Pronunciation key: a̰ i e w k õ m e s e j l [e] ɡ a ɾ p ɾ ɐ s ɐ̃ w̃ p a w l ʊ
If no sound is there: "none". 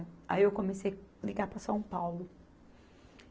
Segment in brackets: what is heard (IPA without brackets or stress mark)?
i